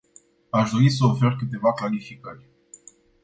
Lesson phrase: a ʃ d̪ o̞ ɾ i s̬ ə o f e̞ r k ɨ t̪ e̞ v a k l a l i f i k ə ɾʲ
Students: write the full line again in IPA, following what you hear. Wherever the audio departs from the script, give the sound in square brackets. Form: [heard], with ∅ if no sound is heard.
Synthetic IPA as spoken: a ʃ d̪ o̞ ɾ i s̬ ə o f e̞ r k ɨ t̪ e̞ v a k l a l i f i k ə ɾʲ

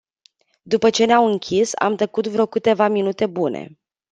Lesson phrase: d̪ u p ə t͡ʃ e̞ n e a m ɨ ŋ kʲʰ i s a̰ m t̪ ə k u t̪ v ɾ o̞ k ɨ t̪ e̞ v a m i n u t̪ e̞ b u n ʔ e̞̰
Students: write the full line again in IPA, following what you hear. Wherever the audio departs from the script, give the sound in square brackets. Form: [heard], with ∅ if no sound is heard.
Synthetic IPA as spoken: d̪ u p ə t͡ʃ e̞ n e a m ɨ ŋ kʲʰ i s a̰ m t̪ ə k u t̪ v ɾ o̞ k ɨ t̪ e̞ v a m i n u t̪ e̞ b u n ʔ e̞̰

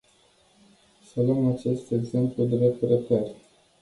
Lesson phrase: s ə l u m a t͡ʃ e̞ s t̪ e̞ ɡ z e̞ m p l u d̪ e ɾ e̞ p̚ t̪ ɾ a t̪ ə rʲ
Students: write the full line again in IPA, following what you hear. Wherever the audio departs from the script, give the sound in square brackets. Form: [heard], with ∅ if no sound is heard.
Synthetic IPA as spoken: s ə l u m a t͡ʃ e̞ s t̪ e̞ ɡ z e̞ m p l u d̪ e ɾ e̞ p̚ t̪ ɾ [e] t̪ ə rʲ

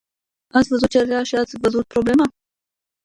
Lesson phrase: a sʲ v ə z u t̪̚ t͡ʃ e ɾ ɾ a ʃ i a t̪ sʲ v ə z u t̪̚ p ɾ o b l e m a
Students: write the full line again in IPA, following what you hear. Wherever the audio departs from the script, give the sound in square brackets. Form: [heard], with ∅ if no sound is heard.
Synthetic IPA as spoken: a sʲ v ə z u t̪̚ t͡ʃ e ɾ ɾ a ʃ i a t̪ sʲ v ə z u t̪̚ p ɾ o b l e m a

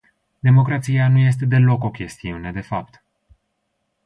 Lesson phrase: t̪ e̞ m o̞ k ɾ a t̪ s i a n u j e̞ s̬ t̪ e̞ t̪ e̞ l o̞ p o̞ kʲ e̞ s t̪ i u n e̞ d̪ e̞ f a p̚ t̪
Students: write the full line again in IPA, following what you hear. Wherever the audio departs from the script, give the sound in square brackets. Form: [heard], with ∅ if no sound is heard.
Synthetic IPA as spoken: [d̪] e̞ m o̞ k ɾ a t̪ s i a n u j e̞ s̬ t̪ e̞ [d̪] e̞ l o̞ [k] o̞ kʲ e̞ s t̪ i u n e̞ d̪ e̞ f a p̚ t̪

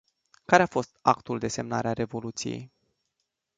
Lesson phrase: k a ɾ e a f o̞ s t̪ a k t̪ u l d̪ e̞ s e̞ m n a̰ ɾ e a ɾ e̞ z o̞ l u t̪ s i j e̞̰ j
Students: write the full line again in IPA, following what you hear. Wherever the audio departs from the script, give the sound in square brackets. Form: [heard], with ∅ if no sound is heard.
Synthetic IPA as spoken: k a ɾ e a f o̞ s t̪ a k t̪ u l d̪ e̞ s e̞ m n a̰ ɾ e a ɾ e̞ [v] o̞ l u t̪ s i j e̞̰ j

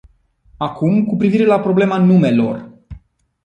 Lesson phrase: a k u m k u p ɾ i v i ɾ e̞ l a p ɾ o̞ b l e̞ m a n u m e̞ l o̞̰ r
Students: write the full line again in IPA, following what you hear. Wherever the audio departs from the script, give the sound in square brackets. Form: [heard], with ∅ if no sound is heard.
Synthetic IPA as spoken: a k u m k u p ɾ i v i ɾ e̞ l a p ɾ o̞ b l e̞ m a n u m e̞ l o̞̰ r

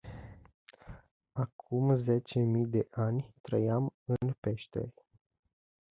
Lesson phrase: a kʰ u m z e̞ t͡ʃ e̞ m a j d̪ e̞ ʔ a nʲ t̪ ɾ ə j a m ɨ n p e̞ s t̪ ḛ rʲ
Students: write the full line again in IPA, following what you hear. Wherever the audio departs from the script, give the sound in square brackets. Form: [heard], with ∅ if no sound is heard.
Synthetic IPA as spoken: a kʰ u m z e̞ t͡ʃ e̞ m [i] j d̪ e̞ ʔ a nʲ t̪ ɾ ə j a m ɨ n p e̞ [ʃ] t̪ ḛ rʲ

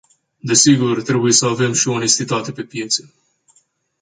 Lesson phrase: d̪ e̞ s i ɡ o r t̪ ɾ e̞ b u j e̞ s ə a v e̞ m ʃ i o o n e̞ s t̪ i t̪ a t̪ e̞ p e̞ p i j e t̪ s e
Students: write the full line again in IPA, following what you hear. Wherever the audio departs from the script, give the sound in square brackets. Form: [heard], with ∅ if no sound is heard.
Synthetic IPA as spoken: d̪ e̞ s i ɡ [u] r t̪ ɾ e̞ b u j e̞ s ə a v e̞ m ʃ i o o n e̞ s t̪ i t̪ a t̪ e̞ p e̞ p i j e t̪ s e

